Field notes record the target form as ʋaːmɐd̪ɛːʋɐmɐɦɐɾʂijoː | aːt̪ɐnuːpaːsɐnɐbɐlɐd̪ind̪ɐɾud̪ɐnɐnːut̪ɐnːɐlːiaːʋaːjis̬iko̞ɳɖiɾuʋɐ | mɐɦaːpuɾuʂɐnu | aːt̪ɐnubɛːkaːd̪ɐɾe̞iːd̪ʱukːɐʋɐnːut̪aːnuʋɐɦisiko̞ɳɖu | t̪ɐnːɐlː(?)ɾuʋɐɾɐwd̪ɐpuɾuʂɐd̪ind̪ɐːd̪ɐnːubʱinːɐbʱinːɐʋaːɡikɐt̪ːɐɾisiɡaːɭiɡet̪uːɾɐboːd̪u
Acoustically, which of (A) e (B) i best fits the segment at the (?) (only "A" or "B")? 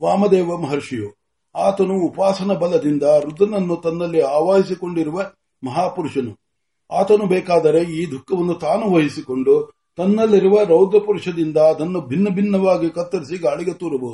B